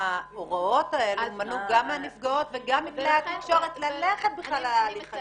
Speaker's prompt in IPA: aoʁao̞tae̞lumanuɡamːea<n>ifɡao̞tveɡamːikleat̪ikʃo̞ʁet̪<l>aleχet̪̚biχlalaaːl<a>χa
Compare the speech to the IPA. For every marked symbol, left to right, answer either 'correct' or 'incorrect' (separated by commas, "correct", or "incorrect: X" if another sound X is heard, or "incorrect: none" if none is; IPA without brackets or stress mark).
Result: correct, correct, incorrect: i